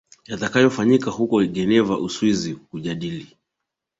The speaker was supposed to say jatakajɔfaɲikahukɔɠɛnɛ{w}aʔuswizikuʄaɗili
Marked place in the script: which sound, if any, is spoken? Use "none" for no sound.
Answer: v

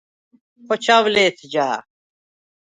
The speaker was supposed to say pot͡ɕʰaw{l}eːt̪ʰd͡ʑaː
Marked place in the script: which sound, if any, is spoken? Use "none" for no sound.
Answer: l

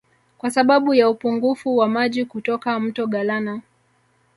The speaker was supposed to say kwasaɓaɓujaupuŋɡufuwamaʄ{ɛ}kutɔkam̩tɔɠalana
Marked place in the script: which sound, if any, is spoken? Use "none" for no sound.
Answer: i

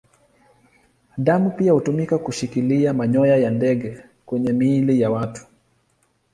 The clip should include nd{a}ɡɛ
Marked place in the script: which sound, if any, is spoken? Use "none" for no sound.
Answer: ɛ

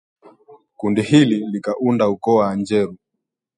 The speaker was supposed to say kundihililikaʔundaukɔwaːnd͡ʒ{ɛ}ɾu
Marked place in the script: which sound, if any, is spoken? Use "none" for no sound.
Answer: ɛ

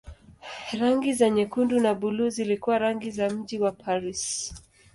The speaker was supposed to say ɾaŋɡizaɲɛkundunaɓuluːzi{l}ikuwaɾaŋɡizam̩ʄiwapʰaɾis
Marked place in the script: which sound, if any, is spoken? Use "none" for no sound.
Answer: l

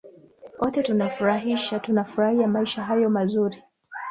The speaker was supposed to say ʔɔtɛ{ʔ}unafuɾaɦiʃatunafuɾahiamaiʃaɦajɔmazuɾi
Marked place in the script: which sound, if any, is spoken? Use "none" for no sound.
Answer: t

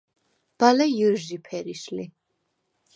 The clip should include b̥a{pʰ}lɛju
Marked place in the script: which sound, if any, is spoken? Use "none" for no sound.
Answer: none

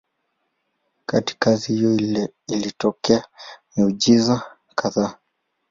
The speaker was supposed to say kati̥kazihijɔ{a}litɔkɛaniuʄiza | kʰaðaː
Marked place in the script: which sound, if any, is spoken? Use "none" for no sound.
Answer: i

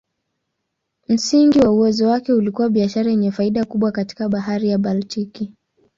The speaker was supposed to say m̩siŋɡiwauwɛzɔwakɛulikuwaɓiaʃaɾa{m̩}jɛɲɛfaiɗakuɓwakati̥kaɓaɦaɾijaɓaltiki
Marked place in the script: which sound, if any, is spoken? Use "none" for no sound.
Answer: none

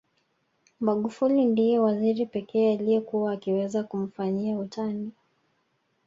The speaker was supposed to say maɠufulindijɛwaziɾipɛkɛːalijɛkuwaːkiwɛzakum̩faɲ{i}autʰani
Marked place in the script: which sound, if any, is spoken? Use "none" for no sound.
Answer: i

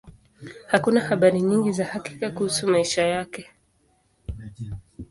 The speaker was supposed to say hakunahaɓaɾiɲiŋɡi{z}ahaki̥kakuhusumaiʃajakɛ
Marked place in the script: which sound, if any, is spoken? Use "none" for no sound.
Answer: z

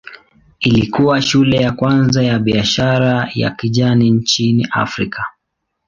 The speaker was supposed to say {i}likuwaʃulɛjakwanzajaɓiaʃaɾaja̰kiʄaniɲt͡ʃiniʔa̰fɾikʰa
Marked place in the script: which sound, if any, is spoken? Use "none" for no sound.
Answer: i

